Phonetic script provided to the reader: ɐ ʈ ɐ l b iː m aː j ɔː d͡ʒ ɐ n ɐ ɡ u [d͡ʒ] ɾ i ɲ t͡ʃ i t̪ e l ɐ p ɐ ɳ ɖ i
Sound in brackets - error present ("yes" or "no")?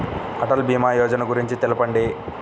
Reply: yes